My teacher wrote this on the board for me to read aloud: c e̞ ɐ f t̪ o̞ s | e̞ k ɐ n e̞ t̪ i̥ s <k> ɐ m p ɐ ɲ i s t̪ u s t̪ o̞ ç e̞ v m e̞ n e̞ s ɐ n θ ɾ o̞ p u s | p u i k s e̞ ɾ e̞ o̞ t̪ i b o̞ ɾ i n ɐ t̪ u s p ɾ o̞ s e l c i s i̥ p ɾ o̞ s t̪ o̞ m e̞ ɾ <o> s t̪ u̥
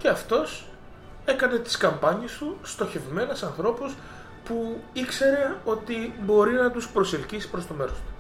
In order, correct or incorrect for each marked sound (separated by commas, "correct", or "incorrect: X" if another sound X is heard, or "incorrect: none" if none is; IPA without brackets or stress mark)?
correct, correct